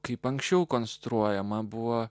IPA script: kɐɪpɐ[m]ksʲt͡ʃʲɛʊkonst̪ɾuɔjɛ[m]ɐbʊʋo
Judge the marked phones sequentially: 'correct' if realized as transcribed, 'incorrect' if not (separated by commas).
incorrect, correct